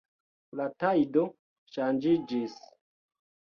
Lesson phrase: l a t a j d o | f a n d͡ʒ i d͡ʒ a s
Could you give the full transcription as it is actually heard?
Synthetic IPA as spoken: l a t a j d o | ʃ a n d͡ʒ i d͡ʒ i s